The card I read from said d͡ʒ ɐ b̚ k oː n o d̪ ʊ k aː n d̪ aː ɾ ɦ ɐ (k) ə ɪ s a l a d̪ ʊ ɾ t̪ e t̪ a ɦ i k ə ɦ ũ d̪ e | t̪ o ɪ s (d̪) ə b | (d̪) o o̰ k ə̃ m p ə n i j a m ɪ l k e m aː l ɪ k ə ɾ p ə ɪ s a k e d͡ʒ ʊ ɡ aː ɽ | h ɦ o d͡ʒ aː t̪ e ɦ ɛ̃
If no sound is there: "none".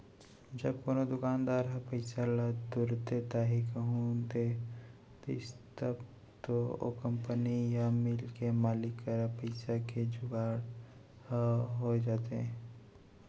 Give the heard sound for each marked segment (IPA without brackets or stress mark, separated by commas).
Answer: p, t̪, t̪